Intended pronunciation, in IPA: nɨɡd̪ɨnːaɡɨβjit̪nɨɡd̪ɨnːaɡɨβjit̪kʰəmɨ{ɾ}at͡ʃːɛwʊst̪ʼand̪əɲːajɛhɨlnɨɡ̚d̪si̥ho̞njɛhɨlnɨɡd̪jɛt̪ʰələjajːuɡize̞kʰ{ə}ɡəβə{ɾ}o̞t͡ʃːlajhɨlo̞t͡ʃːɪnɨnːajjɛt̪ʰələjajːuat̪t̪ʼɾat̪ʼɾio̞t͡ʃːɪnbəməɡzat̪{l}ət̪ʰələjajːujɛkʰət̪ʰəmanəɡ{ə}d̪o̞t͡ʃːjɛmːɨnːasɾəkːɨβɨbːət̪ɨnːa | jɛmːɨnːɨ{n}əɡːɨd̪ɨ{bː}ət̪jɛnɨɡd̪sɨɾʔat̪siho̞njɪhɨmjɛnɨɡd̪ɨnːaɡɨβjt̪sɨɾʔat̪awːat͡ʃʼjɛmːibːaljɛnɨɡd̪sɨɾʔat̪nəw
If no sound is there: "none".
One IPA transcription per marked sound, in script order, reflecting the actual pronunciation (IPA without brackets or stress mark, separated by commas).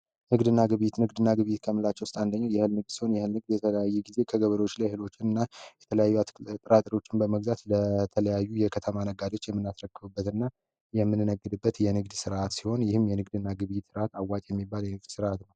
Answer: l, ə, ɾ, l, a, n, bː